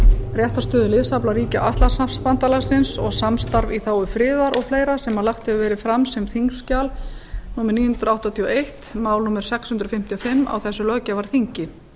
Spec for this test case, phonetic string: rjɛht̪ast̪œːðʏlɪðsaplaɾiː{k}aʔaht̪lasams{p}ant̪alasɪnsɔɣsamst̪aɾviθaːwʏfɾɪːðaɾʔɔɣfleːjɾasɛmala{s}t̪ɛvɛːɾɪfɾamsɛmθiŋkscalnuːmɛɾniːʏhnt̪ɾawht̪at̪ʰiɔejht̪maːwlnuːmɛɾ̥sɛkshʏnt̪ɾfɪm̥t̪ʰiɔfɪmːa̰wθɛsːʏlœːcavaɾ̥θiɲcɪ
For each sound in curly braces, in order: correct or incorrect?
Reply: incorrect: c, correct, incorrect: x

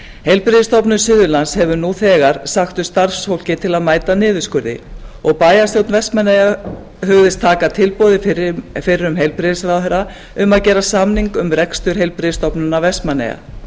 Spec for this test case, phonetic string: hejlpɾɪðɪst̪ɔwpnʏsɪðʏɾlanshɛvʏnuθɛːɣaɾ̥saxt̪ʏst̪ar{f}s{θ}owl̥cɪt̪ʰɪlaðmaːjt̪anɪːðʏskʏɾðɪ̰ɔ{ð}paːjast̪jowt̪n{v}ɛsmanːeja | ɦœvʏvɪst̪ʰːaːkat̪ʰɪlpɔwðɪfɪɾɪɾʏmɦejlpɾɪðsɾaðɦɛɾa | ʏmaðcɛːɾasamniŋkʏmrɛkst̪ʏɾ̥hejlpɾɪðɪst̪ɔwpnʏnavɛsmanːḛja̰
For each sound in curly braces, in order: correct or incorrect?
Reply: correct, incorrect: f, incorrect: ɣ, correct

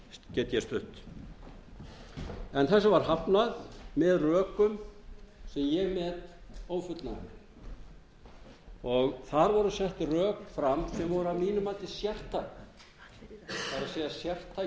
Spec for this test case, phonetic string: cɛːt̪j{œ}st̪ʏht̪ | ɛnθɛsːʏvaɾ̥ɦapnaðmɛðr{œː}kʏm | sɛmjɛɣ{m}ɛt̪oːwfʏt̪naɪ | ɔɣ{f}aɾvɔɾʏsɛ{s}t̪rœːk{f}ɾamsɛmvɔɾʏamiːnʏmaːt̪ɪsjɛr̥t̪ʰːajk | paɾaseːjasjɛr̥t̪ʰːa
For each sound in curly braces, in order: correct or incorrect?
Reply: incorrect: ɛ, correct, correct, incorrect: θ, incorrect: h, correct

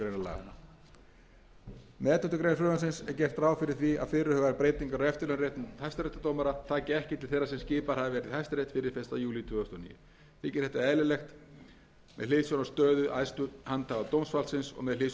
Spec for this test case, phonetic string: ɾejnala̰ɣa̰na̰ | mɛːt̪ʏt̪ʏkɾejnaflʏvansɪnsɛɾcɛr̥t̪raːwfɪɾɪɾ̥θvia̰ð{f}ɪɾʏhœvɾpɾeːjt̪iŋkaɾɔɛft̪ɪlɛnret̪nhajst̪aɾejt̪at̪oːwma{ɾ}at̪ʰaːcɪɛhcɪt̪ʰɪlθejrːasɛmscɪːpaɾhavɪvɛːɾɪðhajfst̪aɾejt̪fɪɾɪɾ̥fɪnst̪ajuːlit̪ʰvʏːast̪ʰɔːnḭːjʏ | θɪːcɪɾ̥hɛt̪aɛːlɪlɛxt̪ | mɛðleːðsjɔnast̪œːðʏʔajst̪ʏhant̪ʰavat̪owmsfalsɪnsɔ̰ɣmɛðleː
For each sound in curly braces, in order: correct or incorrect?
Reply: correct, correct

